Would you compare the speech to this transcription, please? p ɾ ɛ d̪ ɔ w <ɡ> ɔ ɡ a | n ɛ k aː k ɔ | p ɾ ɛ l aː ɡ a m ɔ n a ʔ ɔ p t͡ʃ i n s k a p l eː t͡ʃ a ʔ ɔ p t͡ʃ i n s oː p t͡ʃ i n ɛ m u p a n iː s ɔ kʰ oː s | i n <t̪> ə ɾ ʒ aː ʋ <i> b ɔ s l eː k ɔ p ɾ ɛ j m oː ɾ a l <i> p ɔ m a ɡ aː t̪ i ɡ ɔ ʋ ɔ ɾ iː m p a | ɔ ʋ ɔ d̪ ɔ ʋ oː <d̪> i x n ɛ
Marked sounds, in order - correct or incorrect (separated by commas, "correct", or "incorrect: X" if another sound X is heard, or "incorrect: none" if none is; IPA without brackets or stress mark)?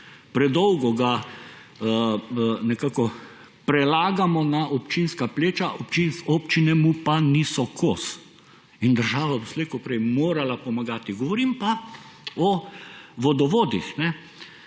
correct, incorrect: d̪, incorrect: a, incorrect: a, correct